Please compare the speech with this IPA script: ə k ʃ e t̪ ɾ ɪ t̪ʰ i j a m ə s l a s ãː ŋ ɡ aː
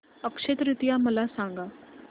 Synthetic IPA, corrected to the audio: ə k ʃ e t̪ ɾ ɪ t̪ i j a m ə l a s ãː ŋ ɡ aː